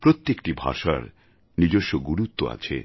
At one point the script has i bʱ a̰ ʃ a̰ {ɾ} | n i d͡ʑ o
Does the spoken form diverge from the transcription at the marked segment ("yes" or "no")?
no